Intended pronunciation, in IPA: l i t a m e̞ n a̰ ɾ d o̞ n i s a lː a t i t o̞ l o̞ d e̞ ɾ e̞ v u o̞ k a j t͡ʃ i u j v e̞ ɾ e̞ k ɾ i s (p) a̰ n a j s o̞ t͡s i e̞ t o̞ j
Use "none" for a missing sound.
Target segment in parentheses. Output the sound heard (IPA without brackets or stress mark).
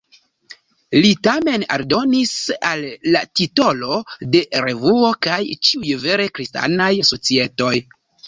t